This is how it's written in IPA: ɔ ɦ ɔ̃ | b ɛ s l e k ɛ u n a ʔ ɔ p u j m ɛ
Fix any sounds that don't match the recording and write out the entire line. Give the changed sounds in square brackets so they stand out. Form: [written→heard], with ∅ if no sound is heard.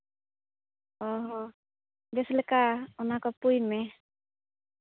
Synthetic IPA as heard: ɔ ɦ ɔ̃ | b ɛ s l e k [ɛ→a] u n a [ʔ→k] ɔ p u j m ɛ